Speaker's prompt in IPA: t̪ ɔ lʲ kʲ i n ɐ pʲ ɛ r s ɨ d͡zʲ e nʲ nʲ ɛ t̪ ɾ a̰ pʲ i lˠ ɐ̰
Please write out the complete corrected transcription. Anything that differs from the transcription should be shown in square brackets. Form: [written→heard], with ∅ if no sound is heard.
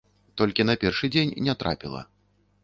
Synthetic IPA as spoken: t̪ ɔ lʲ kʲ i n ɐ pʲ ɛ r [s→ʂ] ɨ d͡zʲ e nʲ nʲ ɛ t̪ ɾ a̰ pʲ i lˠ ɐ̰